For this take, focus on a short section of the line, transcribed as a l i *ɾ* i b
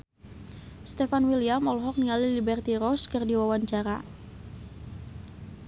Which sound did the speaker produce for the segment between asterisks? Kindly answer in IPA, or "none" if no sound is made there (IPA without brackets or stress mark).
l